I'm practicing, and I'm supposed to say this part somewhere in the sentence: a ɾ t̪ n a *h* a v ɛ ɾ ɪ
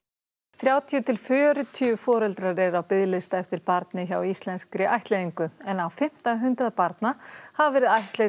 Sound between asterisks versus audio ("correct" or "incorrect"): correct